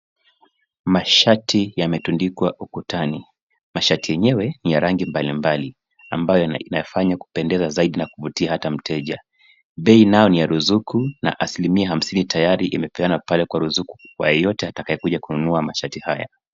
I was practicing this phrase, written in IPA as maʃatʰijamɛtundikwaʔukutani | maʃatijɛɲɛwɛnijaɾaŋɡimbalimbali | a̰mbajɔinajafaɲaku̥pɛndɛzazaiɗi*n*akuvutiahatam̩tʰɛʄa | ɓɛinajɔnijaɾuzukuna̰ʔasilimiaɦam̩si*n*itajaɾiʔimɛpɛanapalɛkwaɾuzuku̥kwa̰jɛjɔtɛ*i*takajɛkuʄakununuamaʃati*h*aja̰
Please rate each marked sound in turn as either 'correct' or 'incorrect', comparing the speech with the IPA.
correct, correct, incorrect, correct

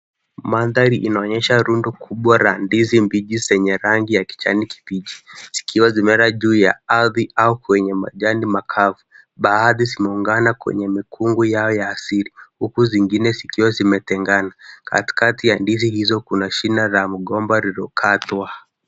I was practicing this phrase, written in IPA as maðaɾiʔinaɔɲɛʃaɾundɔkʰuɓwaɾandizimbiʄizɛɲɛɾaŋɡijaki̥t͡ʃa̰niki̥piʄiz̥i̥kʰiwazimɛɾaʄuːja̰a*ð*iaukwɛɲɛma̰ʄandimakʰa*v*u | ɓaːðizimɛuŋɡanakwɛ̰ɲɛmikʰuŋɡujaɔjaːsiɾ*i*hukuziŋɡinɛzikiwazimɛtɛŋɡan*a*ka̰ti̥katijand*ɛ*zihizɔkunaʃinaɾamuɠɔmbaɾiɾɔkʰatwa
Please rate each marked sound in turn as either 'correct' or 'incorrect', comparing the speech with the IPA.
correct, correct, correct, correct, incorrect

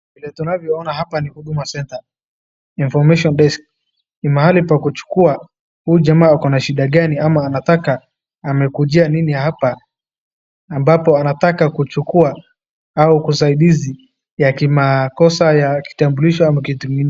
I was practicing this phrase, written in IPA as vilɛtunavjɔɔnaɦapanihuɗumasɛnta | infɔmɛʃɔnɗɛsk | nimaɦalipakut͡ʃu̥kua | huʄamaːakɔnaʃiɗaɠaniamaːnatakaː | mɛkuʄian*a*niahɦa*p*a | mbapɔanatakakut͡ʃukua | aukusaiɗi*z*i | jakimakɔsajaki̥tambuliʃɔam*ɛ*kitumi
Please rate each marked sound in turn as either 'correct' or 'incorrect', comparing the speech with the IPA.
incorrect, correct, correct, incorrect

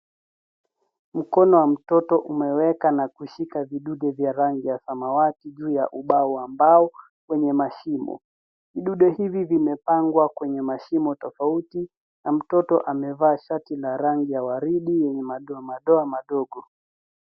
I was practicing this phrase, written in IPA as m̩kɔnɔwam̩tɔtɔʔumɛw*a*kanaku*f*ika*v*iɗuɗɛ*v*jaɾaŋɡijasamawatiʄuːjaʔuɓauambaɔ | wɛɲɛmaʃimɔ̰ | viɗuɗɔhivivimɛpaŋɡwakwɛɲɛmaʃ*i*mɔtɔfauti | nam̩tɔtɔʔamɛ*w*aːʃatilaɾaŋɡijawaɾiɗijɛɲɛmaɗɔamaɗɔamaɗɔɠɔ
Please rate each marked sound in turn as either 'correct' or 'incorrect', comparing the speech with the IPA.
incorrect, incorrect, correct, correct, correct, incorrect

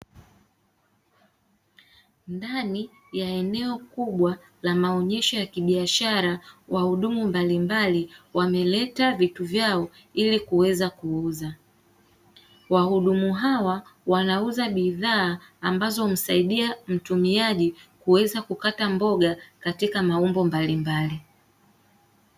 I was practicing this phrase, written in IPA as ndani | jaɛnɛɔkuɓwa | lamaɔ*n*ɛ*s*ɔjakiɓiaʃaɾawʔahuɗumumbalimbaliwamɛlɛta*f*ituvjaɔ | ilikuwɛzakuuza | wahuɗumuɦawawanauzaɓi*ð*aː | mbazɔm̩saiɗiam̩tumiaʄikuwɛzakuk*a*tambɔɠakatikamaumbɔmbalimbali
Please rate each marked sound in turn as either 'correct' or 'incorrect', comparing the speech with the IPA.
incorrect, incorrect, incorrect, correct, correct

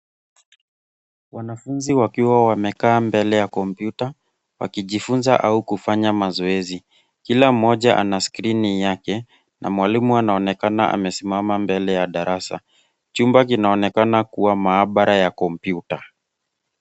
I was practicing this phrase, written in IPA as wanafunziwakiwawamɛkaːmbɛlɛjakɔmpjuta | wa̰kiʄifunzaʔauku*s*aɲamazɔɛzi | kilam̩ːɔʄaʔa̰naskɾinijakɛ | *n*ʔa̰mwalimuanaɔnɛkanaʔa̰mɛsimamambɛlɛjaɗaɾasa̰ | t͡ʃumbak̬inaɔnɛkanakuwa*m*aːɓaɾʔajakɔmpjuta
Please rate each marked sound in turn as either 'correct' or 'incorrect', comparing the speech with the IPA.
incorrect, correct, correct

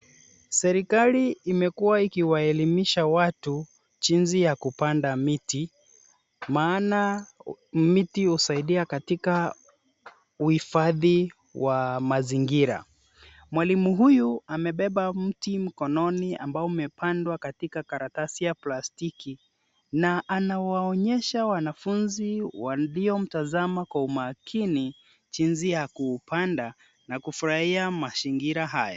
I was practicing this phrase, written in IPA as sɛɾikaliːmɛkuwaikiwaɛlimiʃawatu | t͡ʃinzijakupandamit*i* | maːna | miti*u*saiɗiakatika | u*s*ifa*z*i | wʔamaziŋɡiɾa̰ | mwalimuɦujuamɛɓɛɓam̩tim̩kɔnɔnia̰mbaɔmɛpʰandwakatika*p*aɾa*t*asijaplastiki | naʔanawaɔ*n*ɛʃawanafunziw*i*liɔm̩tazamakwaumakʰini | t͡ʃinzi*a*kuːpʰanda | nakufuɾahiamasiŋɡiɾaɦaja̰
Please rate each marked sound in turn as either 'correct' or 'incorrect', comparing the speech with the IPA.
correct, correct, incorrect, incorrect, incorrect, correct, incorrect, incorrect, correct

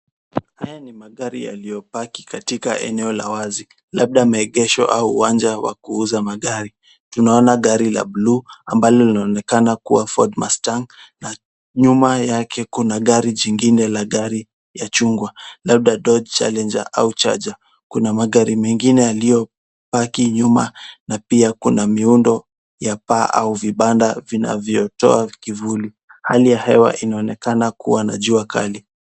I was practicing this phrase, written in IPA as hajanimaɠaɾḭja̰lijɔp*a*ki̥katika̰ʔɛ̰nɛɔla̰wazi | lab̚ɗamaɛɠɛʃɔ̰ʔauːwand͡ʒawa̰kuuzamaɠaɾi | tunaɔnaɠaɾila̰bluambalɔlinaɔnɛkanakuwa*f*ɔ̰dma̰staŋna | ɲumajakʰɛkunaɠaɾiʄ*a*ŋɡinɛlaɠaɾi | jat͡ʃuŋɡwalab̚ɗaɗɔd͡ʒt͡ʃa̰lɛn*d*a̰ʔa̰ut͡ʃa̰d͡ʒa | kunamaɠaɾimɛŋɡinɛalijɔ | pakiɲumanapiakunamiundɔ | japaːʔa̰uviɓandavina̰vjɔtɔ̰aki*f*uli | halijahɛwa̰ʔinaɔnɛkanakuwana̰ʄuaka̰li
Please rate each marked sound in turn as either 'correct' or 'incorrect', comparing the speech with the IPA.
correct, correct, incorrect, incorrect, incorrect

